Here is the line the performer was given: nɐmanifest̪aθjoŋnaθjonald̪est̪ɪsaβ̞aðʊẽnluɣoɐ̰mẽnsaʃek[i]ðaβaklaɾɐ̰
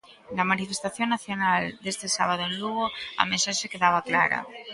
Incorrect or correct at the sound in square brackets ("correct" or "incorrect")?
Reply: incorrect